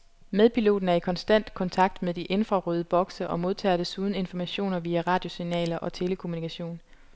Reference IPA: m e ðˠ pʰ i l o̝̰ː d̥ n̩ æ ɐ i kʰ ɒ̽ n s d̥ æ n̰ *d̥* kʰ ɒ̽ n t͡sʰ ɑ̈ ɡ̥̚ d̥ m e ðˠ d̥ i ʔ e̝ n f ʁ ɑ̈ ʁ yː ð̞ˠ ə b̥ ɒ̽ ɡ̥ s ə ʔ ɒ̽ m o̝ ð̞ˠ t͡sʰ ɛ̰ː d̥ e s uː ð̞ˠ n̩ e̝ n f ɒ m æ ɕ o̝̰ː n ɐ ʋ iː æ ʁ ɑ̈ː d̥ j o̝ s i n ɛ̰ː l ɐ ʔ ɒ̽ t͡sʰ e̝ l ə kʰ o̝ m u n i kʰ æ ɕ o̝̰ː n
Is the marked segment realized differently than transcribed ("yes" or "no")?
no